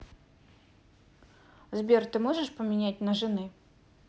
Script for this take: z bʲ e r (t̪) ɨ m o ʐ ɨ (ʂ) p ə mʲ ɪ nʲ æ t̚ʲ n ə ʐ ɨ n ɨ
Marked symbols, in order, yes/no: yes, yes

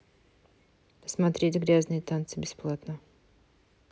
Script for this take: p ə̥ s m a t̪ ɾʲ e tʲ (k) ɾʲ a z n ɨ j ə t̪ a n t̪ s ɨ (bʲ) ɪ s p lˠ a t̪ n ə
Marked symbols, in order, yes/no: no, yes

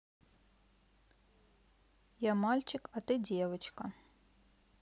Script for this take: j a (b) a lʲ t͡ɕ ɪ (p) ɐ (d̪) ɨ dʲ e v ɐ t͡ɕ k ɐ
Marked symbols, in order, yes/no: no, no, no

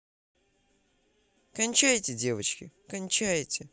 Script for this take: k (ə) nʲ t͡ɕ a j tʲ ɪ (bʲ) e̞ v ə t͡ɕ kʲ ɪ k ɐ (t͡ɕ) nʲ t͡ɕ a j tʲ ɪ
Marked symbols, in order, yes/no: no, no, no

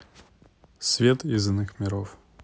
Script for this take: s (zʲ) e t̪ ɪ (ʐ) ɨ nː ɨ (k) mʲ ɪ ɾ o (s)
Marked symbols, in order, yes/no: no, no, no, no

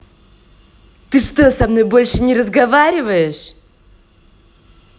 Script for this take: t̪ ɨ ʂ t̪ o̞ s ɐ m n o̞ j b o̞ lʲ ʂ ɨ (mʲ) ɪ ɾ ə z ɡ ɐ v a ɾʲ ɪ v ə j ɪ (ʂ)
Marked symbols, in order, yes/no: no, yes

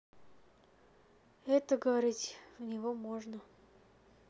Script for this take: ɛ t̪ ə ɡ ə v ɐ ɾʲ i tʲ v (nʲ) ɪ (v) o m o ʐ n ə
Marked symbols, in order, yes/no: yes, yes

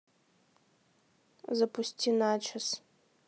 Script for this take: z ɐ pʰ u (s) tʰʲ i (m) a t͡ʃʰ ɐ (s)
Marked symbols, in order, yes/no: yes, no, yes

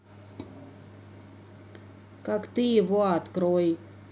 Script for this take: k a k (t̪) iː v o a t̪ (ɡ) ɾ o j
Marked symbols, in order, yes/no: yes, no

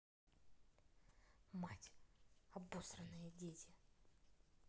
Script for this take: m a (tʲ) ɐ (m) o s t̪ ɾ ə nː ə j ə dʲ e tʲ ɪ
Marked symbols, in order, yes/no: yes, no

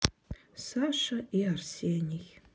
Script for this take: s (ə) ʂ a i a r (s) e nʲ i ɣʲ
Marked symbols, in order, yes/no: no, yes

